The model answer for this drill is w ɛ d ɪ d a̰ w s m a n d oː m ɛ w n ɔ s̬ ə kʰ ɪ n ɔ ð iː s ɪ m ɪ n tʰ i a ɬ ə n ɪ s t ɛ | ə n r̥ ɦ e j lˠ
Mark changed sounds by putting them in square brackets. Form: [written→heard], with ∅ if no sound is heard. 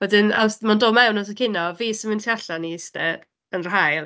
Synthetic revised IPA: w ɛ d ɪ [d→n] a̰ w s m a n d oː m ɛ w n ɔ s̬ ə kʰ ɪ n ɔ [ð→v] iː s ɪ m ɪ n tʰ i a ɬ [ə→a] n [ɪ→i] s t ɛ | ə n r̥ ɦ [e→a] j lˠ

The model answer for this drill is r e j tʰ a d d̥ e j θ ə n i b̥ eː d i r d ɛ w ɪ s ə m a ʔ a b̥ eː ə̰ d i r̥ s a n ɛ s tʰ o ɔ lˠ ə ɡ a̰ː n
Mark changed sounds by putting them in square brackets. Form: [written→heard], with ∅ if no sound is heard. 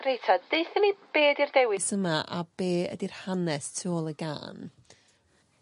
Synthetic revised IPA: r e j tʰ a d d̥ e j θ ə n i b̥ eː d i r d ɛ w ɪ s ə m a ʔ a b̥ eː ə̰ d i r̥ [s→h] a n ɛ s tʰ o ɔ lˠ ə ɡ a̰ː n

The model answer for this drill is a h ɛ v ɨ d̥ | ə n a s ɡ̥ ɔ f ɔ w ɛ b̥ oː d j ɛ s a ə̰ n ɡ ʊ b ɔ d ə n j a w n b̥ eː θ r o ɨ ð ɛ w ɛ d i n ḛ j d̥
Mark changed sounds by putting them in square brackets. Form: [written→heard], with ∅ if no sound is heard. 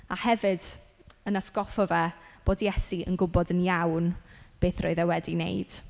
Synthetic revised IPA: a h ɛ v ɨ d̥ | ə n a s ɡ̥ ɔ f ɔ [w→v] ɛ b̥ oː d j ɛ s [a→i] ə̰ n ɡ ʊ b ɔ d ə n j a w n b̥ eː θ r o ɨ ð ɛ w ɛ d i n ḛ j d̥

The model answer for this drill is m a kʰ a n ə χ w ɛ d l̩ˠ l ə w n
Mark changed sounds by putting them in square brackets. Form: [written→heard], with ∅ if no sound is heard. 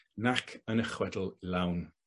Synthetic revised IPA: [m→n] a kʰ [a→ə] n ə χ w ɛ d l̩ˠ l [ə→a] w n

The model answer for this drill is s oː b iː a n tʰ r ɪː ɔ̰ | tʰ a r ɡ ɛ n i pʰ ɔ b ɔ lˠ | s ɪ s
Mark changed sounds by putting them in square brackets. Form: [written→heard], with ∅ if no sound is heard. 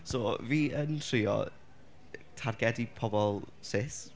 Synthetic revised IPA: s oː [b→v] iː [a→ə] n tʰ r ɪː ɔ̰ | tʰ a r ɡ ɛ [n→d] i pʰ ɔ b ɔ lˠ | s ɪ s

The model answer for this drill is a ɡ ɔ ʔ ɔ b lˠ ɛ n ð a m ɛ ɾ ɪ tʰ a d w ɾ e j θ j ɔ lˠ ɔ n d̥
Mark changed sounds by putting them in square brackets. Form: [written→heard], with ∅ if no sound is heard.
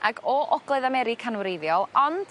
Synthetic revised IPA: a ɡ ɔ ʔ ɔ [b→ɡ] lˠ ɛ [n→∅] ð a m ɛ ɾ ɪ [tʰ→kʰ] a [d→n] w ɾ e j [θ→ð] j ɔ lˠ ɔ n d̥

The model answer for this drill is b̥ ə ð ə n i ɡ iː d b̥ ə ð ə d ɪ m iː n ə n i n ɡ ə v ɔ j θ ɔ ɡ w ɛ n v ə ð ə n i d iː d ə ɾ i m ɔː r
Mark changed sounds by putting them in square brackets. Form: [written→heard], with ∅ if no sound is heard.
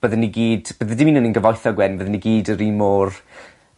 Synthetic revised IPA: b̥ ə ð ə n i ɡ iː d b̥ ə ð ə d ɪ m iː n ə n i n ɡ ə v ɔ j θ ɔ ɡ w ɛ n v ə ð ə n i [d→ɡ] iː d ə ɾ i m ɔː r

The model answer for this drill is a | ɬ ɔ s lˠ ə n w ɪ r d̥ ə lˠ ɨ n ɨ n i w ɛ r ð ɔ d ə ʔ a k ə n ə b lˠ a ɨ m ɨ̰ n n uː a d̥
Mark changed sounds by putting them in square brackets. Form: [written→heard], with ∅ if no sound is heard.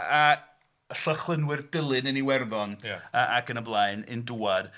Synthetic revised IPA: a | ɬ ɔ [s→χ] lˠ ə n w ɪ r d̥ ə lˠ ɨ n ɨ n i w ɛ r ð ɔ [d→n] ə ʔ a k ə n ə b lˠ a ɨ [m→n] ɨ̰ n [n→d] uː a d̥

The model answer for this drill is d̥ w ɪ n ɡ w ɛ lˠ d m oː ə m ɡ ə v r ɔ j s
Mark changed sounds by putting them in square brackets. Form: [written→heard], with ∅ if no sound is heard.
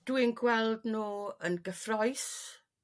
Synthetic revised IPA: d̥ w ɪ n ɡ w ɛ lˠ d [m→n] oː ə [m→n] ɡ ə [v→f] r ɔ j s

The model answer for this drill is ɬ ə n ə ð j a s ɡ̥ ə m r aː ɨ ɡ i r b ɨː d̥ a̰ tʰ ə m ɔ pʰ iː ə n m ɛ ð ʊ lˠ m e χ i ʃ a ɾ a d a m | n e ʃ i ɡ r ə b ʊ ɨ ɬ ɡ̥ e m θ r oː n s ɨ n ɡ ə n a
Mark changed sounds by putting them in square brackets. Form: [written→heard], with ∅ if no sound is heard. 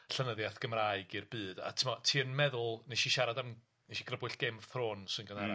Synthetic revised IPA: ɬ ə n ə ð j a [s→θ] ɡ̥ ə m r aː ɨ ɡ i r b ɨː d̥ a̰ tʰ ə m ɔ [pʰ→tʰ] iː ə n m ɛ ð ʊ lˠ [m→n] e [χ→ʃ] i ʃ a ɾ a d a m | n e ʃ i ɡ r ə b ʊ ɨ ɬ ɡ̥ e m θ r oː n s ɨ n ɡ ə n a

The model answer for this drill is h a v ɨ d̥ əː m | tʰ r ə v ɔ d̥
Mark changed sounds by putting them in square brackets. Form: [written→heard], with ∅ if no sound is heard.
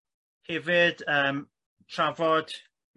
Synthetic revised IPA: h [a→ɛ] v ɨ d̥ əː m | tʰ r [ə→a] v ɔ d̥

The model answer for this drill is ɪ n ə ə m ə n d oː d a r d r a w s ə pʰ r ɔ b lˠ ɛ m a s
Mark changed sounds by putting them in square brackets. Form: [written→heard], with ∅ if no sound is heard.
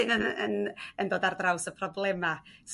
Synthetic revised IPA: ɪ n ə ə [m→n] ə n d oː d a r d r a w s ə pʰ r ɔ b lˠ ɛ m a s

